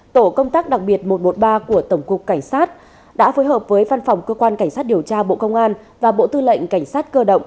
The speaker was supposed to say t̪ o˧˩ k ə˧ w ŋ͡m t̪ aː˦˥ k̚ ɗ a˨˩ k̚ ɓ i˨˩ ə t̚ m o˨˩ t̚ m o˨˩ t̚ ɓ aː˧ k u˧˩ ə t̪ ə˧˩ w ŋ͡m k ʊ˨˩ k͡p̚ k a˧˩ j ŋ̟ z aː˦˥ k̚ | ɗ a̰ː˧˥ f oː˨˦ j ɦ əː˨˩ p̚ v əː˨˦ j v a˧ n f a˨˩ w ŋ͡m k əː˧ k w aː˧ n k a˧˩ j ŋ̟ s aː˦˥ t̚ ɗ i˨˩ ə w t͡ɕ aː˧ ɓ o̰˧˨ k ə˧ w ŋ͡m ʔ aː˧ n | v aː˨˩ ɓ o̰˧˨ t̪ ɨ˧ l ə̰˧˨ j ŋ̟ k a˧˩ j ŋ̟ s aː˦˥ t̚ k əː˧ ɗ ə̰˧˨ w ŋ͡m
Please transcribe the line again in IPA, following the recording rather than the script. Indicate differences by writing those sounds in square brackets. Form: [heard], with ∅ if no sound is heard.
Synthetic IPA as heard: t̪ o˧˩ k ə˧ w ŋ͡m t̪ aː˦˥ k̚ ɗ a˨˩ k̚ ɓ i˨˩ ə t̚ m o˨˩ t̚ m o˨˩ t̚ ɓ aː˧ k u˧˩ ə t̪ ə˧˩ w ŋ͡m k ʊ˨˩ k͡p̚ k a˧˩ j ŋ̟ [s] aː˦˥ [t̚] | ɗ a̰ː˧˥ f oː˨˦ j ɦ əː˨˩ p̚ v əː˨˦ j v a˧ n f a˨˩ w ŋ͡m k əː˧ k w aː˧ n k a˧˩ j ŋ̟ s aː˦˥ t̚ ɗ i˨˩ ə w t͡ɕ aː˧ ɓ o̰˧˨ k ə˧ w ŋ͡m ʔ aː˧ n | v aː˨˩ ɓ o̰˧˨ t̪ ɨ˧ l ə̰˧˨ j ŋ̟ k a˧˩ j ŋ̟ s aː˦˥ t̚ k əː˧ ɗ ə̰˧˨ w ŋ͡m

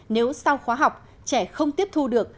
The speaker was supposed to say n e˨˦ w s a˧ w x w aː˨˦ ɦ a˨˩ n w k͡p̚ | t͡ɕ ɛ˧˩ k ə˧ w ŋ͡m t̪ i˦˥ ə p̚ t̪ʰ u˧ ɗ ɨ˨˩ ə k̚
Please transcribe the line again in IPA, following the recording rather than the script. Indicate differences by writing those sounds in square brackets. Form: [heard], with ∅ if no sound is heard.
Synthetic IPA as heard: n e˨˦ w s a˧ w x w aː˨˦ ɦ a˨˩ [∅] w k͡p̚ | t͡ɕ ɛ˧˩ [x] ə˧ w ŋ͡m t̪ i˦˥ ə p̚ t̪ʰ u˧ ɗ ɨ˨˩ ə k̚

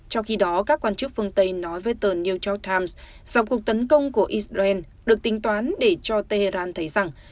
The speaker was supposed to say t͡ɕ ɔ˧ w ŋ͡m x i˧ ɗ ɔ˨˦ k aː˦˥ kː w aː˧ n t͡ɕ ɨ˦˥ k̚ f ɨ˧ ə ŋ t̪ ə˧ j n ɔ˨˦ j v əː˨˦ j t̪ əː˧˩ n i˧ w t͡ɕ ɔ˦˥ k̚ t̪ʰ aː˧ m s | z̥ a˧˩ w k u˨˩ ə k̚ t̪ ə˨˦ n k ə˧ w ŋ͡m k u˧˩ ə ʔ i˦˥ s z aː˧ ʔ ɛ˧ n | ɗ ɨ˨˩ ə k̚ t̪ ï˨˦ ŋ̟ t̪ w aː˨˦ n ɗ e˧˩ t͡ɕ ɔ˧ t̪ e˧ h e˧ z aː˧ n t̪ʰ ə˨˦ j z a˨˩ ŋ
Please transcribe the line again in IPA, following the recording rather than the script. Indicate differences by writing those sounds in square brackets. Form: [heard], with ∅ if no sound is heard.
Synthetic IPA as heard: t͡ɕ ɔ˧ w ŋ͡m x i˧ ɗ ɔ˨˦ k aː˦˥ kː w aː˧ n t͡ɕ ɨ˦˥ k̚ f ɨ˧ ə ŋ t̪ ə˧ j n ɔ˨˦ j v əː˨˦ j t̪ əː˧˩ n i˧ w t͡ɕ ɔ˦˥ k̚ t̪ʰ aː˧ m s | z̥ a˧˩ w k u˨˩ ə k̚ t̪ ə˨˦ n k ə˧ w ŋ͡m k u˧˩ ə ʔ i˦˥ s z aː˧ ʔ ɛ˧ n | ɗ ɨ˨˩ ə k̚ t̪ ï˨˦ ŋ̟ t̪ w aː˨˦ n ɗ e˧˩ t͡ɕ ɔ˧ t̪ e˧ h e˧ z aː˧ n t̪ʰ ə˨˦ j z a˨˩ ŋ

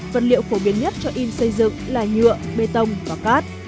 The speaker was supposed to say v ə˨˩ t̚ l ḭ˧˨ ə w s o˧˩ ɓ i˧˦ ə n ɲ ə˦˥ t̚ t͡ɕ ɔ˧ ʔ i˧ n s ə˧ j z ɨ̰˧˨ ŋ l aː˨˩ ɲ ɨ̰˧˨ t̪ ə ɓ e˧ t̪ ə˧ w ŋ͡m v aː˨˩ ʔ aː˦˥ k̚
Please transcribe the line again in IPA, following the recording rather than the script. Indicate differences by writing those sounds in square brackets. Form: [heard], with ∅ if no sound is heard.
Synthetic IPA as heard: v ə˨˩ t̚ l ḭ˧˨ ə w [f] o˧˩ ɓ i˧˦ ə n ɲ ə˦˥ t̚ t͡ɕ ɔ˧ ʔ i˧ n s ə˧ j z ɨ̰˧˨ ŋ l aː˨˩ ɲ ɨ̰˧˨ [∅] ə ɓ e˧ t̪ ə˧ w ŋ͡m v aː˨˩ [k] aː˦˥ [t̚]

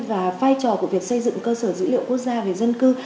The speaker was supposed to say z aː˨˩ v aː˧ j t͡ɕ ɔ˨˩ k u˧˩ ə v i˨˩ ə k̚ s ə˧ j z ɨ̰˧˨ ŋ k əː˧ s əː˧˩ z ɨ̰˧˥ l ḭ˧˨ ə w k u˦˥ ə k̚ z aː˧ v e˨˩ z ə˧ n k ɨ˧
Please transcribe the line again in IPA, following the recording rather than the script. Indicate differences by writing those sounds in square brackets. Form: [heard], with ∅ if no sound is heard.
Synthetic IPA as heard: [v] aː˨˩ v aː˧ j t͡ɕ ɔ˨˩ k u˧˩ ə v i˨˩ ə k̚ s ə˧ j z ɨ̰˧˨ ŋ k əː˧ s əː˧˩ z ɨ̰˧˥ l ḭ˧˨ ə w k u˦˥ ə k̚ z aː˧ v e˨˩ z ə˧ n k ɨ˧

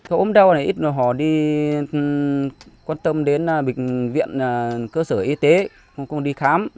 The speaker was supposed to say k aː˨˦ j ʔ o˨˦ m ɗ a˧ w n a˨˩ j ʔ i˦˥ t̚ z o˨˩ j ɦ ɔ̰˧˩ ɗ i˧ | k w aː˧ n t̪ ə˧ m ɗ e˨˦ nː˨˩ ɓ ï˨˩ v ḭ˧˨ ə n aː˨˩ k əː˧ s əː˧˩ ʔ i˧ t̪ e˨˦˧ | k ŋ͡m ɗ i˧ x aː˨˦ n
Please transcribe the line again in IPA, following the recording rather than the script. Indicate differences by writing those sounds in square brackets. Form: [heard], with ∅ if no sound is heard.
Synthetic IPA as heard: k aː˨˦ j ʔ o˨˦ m ɗ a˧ w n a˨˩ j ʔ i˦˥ t̚ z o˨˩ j ɦ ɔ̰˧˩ ɗ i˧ | k w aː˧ n t̪ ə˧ m ɗ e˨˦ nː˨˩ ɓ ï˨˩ v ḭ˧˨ ə n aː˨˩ k əː˧ s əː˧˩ ʔ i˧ t̪ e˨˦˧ | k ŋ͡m ɗ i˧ x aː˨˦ [m]

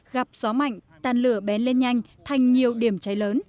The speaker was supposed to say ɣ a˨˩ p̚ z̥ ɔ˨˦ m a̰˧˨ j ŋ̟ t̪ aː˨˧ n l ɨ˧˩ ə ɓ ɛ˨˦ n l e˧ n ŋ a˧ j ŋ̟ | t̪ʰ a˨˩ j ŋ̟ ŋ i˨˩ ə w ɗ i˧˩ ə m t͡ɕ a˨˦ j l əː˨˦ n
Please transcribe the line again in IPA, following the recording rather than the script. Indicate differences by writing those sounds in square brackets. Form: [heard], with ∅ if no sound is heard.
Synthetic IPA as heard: ɣ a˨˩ p̚ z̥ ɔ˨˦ m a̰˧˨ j ŋ̟ t̪ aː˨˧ n l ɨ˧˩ ə ɓ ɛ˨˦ n l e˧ n [ɲ] a˧ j ŋ̟ | t̪ʰ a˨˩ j ŋ̟ [ɲ] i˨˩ ə w ɗ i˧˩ ə m t͡ɕ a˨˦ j l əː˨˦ n

